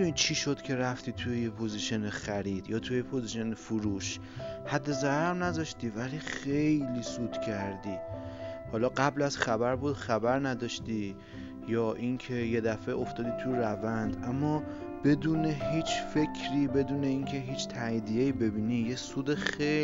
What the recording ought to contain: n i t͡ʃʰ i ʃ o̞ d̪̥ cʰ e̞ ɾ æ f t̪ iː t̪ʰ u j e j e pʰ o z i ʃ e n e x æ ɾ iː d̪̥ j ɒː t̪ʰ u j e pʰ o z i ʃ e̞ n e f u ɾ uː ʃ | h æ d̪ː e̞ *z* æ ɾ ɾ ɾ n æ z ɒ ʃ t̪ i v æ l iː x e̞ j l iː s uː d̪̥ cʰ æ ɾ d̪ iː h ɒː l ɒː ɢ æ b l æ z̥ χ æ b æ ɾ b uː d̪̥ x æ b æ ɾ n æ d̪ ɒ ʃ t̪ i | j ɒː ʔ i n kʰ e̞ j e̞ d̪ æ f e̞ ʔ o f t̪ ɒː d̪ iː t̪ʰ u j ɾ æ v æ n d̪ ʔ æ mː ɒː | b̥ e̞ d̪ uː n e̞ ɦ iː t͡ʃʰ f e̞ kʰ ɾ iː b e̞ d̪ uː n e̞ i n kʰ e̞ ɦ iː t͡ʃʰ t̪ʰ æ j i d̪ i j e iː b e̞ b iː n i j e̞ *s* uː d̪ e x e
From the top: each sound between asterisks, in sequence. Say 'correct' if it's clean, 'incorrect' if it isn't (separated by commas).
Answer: correct, correct